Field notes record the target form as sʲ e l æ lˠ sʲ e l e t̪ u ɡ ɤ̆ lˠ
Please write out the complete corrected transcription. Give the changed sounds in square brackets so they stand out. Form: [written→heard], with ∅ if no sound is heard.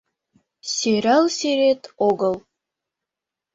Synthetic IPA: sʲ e [l→ɾ] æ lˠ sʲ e [l→ɾ] e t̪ [u→o] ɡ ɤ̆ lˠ

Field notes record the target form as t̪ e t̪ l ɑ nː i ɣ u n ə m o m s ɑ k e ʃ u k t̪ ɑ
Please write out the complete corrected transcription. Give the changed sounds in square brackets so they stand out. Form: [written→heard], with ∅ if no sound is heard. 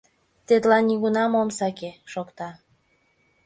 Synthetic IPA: t̪ e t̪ l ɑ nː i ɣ u n [ə→ɑ] m o m s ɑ k e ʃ [u→o] k t̪ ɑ

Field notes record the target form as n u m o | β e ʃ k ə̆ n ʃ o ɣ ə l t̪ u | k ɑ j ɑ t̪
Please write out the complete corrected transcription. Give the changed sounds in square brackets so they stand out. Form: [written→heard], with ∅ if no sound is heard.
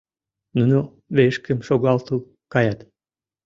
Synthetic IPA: n u [m→n] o | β e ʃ k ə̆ [n→m] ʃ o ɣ [ə→ɑ] l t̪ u | k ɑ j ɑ t̪

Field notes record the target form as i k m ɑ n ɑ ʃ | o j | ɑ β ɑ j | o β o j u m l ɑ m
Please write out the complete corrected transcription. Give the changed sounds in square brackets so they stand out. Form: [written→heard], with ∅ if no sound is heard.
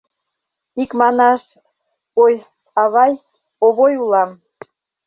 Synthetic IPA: i k m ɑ n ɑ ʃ | o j | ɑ β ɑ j | o β o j u [m→∅] l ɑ m

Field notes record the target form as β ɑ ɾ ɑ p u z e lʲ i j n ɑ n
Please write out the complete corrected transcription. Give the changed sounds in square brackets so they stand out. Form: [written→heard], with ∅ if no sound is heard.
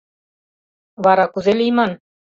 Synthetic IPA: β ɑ ɾ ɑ [p→k] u z e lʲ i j [n→m] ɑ n

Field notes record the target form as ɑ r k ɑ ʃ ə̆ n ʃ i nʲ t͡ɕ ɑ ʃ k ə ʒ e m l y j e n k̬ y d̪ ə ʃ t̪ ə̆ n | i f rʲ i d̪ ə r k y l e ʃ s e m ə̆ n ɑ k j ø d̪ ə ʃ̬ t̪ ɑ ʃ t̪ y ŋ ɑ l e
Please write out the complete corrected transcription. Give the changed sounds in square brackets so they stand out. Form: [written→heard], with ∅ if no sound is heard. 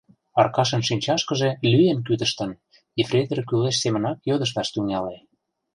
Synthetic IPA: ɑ r k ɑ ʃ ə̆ n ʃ i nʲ t͡ɕ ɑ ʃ k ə ʒ e [m→∅] l y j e n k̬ y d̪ ə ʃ t̪ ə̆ n | i f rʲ [i→e] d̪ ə r k y l e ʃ s e m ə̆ n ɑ k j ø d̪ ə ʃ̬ t̪ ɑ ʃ t̪ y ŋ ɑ l e

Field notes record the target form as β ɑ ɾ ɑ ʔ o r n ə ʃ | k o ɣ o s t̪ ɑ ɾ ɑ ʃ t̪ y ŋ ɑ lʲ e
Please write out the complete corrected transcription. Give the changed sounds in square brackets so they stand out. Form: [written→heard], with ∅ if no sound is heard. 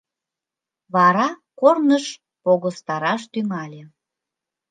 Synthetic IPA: β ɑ ɾ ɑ [ʔ→k] o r n ə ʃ | [k→p] o ɣ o s t̪ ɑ ɾ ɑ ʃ t̪ y ŋ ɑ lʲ e

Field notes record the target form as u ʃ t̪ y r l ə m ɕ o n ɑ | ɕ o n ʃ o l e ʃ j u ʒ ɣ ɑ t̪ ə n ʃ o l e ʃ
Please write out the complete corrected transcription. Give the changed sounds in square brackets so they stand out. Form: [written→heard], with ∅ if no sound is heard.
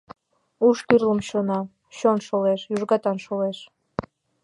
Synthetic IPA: u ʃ t̪ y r l ə m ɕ o n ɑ | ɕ o n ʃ o l e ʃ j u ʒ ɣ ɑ t̪ [ə→ɑ] n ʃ o l e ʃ

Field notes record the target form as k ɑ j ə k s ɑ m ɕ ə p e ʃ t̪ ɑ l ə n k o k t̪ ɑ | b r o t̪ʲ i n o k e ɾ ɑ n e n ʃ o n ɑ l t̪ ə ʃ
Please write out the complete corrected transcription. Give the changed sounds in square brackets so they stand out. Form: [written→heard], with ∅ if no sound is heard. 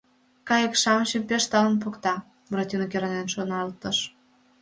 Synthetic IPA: k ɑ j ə k [s→ʃ] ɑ m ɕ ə p e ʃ t̪ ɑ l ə n [k→p] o k t̪ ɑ | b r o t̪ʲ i n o k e ɾ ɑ n e n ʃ o n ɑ l t̪ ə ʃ

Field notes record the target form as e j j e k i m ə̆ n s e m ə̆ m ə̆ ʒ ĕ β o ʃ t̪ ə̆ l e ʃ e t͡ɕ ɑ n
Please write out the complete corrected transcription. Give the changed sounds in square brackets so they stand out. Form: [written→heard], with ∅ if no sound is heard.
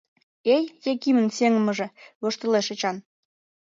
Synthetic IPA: e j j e k i m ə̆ n s e [m→ŋ] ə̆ m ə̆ ʒ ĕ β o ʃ t̪ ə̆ l e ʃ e t͡ɕ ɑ n

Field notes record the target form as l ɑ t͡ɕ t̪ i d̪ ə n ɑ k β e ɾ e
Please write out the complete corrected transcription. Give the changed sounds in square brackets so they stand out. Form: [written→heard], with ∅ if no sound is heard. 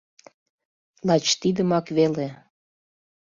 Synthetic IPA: l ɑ t͡ɕ t̪ i d̪ ə [n→m] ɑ k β e [ɾ→l] e

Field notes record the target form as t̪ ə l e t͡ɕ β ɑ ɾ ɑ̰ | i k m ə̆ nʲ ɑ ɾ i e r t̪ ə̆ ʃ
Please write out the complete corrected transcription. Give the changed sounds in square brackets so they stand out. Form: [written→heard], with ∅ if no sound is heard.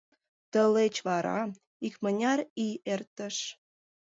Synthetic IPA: t̪ ə l e t͡ɕ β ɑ ɾ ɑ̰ | i k m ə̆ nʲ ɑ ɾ i e r t̪ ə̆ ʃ

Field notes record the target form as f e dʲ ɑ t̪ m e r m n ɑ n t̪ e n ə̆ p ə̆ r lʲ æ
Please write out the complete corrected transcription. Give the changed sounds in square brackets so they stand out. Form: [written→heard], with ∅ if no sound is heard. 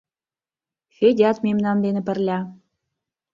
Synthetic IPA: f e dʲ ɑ t̪ m e [r→∅] m n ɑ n [t̪→d̪] e n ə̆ p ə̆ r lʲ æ

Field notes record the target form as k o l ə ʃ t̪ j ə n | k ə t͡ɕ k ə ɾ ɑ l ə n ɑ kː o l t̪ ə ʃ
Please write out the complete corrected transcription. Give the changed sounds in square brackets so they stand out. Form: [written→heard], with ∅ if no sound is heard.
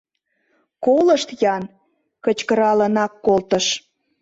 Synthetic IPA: k o l ə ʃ t̪ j [ə→ɑ] n | k ə t͡ɕ k ə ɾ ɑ l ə n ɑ kː o l t̪ ə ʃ

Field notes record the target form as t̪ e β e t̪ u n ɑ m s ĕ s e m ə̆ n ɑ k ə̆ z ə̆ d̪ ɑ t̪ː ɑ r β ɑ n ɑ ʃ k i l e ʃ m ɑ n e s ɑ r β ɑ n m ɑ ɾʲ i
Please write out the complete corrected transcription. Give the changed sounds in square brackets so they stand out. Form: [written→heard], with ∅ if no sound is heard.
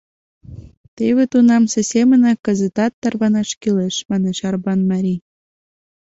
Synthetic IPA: t̪ e β e t̪ u n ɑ m s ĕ s e m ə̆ n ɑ k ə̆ z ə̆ [d̪→t̪] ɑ t̪ː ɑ r β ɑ n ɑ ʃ k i l e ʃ m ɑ n e [s→ʃ] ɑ r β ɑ n m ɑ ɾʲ i

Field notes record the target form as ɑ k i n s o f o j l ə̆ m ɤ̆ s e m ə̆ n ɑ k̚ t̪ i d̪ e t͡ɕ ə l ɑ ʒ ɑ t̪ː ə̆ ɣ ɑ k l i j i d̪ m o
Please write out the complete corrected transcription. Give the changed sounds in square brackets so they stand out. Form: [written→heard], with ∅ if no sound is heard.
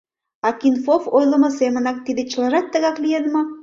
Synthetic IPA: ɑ k i n [s→f] o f o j l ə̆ m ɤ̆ s e m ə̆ n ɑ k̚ t̪ i d̪ e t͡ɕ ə l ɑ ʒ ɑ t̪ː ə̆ ɣ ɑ k l i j [i→e] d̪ m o

